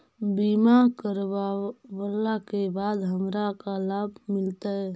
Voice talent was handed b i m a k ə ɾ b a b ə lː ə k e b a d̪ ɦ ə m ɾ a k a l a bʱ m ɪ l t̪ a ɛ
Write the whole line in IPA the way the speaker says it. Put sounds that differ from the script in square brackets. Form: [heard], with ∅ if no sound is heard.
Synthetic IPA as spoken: b i m a k ə ɾ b a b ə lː [a] k e b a d̪ ɦ ə m ɾ a k a l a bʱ m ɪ l t̪ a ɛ